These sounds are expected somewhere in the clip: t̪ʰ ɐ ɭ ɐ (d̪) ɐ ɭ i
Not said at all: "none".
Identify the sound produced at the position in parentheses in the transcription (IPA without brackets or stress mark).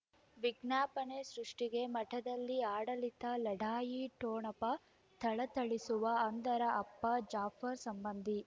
t̪